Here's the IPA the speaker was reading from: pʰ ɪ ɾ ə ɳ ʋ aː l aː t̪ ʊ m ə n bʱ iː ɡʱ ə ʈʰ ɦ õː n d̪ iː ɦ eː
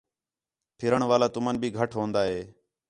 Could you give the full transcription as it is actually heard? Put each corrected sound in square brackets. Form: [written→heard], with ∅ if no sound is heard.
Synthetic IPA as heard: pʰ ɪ ɾ ə ɳ ʋ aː l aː t̪ ʊ m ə n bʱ iː ɡʱ ə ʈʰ ɦ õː n d̪ [iː→aː] ɦ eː

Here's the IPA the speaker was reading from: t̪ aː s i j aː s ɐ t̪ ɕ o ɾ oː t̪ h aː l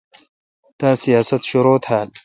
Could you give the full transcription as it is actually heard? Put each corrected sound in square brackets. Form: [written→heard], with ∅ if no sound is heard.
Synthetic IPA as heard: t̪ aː s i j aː s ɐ t̪ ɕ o ɾ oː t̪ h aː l

